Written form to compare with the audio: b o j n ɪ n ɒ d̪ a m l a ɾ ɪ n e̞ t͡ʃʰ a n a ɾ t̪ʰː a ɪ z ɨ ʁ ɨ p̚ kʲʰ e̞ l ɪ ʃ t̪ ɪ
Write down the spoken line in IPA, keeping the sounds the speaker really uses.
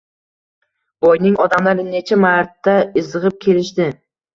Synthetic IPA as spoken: b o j n ɪ ŋ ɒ d̪ a m l a ɾ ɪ n e̞ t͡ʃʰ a m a ɾ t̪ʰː a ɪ z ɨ ʁ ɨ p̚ kʲʰ e̞ l ɪ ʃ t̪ ɪ